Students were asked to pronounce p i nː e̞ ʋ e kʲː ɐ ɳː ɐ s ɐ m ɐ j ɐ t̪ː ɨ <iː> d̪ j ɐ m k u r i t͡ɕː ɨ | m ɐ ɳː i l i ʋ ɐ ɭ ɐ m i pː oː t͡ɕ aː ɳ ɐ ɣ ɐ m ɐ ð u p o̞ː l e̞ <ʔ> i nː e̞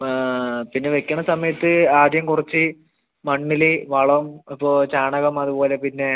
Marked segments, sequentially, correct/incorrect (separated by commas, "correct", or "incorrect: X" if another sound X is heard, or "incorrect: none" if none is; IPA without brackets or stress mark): incorrect: aː, incorrect: p